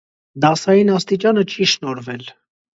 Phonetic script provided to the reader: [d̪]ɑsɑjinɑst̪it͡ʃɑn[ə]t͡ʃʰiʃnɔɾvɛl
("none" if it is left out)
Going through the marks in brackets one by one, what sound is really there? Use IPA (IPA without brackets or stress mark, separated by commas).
d̪, ə